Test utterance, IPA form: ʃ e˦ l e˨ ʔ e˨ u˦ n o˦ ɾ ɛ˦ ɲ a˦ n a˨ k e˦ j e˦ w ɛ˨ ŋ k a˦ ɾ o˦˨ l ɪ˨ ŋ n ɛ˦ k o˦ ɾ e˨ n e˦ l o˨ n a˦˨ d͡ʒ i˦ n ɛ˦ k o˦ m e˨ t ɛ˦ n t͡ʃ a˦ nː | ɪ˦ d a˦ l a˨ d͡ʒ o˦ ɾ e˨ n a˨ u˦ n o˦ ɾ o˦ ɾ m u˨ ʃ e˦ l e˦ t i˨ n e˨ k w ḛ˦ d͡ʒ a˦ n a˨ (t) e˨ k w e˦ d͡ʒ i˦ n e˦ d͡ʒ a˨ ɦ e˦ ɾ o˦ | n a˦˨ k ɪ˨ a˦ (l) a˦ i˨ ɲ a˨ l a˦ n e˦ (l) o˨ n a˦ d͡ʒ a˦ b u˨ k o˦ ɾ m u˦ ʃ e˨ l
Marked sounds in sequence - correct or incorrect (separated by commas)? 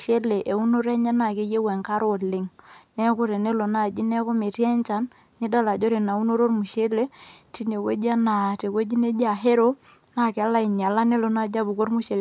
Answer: correct, correct, correct